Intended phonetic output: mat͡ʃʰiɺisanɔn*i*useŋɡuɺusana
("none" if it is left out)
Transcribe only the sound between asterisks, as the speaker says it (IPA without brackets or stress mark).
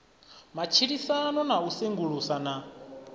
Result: a